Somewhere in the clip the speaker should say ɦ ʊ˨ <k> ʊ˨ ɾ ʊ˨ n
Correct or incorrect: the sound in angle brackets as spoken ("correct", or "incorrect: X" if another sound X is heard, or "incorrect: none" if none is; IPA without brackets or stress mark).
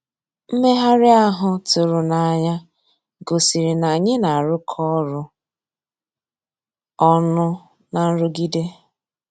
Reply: incorrect: t